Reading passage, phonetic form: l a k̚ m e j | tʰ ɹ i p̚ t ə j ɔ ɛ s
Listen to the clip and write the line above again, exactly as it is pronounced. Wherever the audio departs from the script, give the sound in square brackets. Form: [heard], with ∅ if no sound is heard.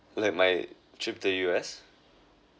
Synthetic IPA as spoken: l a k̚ m [a] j | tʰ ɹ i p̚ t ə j [u] ɛ s